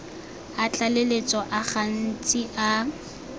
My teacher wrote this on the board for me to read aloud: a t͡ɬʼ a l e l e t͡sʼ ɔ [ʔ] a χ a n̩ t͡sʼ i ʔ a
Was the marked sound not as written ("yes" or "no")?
no